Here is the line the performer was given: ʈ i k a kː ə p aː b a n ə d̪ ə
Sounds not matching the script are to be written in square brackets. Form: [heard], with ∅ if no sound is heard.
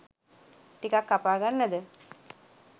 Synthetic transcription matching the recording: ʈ i k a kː [a] p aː [ɡ] a [nː] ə d̪ ə